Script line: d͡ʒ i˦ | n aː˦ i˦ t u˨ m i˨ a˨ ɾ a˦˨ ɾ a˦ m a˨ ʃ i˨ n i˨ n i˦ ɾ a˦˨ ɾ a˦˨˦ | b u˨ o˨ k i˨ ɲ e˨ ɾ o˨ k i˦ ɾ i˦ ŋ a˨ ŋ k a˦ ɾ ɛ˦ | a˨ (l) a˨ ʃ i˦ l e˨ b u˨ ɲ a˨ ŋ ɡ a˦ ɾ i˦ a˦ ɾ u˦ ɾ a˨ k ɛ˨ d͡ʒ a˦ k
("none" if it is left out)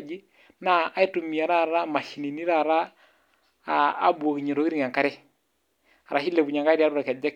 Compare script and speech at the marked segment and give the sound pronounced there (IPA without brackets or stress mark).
ɾ